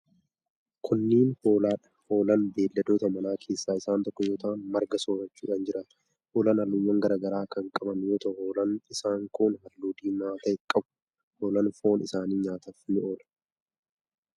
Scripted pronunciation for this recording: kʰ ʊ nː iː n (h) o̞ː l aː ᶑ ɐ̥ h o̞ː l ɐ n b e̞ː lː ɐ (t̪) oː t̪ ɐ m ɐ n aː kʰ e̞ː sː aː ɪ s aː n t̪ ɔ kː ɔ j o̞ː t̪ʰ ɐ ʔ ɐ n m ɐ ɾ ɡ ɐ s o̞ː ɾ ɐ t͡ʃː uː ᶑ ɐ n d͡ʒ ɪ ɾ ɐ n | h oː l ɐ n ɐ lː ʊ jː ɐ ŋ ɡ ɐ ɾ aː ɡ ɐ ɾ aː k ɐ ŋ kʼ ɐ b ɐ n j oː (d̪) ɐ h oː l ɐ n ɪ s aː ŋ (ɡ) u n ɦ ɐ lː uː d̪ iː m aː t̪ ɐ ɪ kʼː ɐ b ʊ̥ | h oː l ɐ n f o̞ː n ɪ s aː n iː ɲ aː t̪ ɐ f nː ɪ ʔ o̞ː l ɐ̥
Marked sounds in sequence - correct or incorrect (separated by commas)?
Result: correct, incorrect, incorrect, incorrect